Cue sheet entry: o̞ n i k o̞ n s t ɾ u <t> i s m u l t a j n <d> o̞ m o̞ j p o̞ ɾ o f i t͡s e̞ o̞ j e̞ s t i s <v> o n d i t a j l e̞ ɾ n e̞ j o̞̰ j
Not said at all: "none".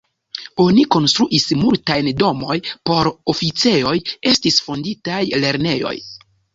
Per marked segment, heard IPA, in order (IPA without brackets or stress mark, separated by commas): ʔ, d, f